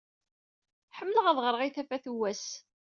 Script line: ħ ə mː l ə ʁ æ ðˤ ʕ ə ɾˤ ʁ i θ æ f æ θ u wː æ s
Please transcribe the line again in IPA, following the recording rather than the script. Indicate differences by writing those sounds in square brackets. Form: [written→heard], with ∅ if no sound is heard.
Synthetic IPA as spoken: ħ ə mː l ə ʁ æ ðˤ [ʕ→ʁ] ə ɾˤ ʁ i θ æ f æ θ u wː æ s